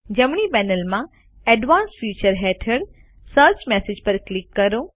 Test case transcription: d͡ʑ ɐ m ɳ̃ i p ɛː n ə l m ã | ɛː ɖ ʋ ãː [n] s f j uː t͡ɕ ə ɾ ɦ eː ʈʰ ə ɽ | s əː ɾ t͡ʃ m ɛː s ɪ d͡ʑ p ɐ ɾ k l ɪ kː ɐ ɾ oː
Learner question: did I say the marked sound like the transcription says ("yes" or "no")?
yes